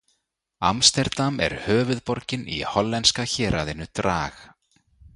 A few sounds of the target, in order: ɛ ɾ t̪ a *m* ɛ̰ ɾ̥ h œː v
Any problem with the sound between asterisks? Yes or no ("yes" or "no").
no